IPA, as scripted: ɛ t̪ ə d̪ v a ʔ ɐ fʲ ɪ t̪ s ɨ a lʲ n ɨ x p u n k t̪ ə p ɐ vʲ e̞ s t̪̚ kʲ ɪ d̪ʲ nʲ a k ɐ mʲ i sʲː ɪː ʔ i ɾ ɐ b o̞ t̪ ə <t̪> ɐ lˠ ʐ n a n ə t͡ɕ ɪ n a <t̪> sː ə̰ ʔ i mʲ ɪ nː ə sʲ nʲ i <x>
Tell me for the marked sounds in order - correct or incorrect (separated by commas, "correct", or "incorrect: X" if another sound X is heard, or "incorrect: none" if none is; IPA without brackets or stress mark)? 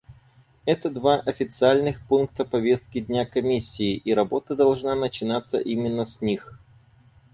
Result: incorrect: d̪, correct, correct